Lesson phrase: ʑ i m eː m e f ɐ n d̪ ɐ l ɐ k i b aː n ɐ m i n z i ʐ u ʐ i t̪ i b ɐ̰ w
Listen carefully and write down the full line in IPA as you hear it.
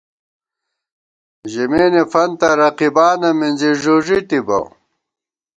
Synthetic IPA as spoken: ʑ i m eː n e f ɐ n t̪ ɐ ɾ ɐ q i b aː n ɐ m i n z i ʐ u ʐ i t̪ i b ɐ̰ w